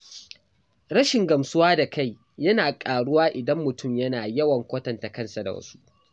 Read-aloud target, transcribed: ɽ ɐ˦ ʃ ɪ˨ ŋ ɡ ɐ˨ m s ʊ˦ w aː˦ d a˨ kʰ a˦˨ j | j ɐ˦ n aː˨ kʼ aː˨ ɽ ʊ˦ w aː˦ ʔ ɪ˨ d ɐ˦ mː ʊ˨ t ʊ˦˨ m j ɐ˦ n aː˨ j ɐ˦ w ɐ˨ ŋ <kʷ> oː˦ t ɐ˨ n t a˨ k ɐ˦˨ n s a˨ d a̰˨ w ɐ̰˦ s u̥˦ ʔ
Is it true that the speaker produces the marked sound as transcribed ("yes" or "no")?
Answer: yes